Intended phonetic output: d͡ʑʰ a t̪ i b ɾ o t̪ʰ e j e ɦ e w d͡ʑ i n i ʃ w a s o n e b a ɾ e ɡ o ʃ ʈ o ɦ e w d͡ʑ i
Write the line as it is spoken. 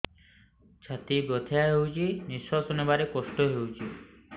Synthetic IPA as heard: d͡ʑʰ a t̪ i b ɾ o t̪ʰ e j a ɦ e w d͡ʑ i n i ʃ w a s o n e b a ɾ e k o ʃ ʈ o ɦ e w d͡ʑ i

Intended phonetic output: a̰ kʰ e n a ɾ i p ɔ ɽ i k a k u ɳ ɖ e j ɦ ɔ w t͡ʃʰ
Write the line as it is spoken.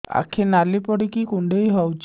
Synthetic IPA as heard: a̰ kʰ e n a l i p ɔ ɽ i k i k u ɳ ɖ e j ɦ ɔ w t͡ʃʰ

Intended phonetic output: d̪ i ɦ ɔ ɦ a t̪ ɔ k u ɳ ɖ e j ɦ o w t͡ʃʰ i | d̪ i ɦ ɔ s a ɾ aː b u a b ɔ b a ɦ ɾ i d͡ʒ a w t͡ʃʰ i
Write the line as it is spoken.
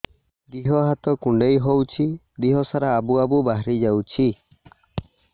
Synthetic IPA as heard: d̪ i ɦ ɔ ɦ a t̪ ɔ k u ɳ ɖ e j ɦ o w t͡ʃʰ i | d̪ i ɦ ɔ s a ɾ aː b u a b u b a ɦ ɾ i d͡ʒ a w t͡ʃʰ i

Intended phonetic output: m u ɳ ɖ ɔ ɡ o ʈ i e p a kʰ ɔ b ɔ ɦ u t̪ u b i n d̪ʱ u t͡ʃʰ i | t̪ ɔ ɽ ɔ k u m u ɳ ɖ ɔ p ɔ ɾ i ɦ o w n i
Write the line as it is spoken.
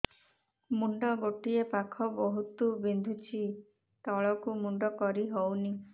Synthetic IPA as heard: m u ɳ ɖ ɔ ɡ o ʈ i e p a kʰ ɔ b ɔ ɦ u t̪ u b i n d̪ʱ u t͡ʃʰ i | t̪ ɔ ɭ ɔ k u m u ɳ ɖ ɔ k ɔ ɾ i ɦ o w n i

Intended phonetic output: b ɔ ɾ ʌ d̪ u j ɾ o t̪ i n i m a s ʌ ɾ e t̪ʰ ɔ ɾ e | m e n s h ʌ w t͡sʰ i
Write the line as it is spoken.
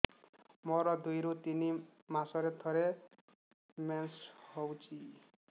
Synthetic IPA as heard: m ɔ ɾ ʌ d̪ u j ɾ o t̪ i n i m a s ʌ ɾ e t̪ʰ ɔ ɾ e | m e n s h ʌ w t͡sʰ i

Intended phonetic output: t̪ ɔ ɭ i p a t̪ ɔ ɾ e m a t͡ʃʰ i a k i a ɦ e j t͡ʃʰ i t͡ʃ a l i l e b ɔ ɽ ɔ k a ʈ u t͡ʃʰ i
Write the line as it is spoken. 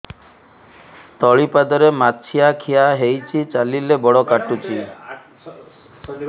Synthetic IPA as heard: t̪ ɔ ɭ i p a d̪ ɔ ɾ e m a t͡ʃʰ i a kʰ i a ɦ e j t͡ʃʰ i t͡ʃ a l i l e b ɔ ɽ ɔ k a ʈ u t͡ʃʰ i

